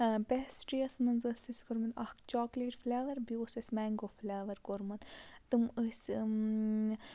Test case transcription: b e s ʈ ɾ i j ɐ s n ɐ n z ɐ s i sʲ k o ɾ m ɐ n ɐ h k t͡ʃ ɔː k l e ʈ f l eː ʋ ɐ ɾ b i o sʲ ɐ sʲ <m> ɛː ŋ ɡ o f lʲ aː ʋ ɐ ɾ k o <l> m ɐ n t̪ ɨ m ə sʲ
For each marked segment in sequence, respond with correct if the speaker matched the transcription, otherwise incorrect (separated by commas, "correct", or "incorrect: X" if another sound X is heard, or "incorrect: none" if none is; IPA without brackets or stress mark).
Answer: correct, incorrect: ɾ